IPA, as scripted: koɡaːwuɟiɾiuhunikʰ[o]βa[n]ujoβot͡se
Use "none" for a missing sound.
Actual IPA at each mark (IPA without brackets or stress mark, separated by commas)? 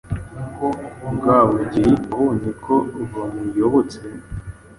o, m